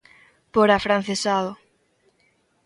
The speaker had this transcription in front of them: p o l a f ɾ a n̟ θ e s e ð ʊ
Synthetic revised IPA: p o ɾ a f ɾ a n̟ θ e s a ð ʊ